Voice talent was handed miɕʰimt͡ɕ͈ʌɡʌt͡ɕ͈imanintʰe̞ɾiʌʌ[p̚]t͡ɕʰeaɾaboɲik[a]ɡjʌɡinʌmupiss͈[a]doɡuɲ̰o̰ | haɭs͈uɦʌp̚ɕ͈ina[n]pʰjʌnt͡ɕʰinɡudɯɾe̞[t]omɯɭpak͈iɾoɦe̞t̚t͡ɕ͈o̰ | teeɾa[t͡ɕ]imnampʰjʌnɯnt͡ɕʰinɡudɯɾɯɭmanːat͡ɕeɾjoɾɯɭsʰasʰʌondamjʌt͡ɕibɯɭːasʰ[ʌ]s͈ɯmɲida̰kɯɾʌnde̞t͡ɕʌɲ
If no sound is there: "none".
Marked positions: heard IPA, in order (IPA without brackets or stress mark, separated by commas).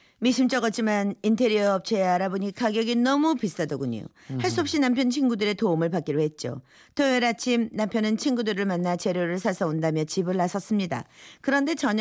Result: p̚, a, a, m, t, t͡ɕʰ, ʌ